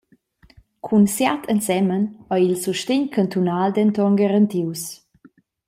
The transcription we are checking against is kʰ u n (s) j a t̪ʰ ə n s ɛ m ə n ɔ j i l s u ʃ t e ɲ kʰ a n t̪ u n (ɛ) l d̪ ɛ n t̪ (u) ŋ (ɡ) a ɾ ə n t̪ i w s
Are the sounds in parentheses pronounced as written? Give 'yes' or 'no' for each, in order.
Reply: yes, no, no, yes

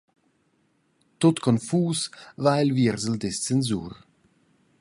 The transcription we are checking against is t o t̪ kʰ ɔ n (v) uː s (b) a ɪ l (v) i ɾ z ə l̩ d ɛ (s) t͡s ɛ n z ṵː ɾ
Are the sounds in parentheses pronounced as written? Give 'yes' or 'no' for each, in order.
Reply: no, no, yes, yes

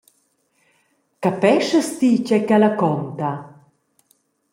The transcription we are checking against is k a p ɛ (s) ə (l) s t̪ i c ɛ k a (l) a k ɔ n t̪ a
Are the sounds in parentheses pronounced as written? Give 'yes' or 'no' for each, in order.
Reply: no, no, yes

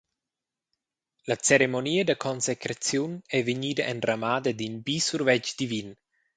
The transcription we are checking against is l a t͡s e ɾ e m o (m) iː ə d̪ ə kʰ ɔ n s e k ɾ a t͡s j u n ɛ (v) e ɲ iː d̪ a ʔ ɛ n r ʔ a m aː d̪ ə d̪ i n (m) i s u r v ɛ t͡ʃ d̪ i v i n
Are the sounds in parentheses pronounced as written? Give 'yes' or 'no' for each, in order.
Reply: no, yes, no

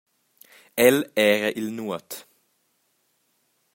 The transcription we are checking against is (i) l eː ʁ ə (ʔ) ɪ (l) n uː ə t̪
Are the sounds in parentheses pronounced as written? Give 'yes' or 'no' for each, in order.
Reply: no, yes, yes

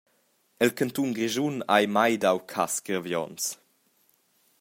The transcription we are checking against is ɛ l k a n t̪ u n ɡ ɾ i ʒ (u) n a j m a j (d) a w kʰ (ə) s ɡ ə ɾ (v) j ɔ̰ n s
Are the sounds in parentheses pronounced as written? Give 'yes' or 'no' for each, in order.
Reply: yes, yes, no, yes

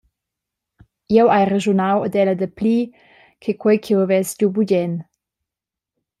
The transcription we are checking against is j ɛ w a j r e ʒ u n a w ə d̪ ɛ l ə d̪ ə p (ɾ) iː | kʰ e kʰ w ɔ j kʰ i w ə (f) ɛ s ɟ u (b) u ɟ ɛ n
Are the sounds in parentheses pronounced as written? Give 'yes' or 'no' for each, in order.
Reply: no, no, yes

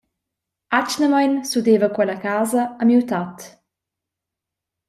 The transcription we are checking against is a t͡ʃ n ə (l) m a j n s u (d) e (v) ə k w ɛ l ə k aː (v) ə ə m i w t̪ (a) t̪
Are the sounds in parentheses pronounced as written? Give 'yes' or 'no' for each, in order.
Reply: no, yes, yes, no, yes

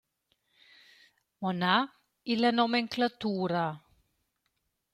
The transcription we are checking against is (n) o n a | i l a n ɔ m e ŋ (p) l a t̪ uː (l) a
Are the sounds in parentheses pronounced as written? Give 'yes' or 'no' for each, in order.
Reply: no, no, no

